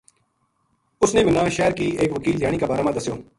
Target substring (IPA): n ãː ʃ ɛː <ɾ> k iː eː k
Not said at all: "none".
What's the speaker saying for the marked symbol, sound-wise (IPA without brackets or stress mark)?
ɾ